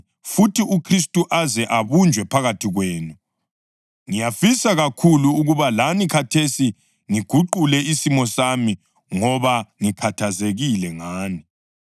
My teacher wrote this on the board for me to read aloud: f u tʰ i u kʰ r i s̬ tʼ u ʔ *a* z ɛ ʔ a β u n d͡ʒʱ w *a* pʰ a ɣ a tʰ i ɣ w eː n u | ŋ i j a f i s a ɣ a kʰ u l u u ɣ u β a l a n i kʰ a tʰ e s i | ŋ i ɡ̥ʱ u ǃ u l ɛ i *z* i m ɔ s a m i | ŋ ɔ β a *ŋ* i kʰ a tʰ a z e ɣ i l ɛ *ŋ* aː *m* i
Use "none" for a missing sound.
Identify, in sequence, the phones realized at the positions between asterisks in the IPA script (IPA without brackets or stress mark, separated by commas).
a, ɛ, s, ŋ, ŋ, n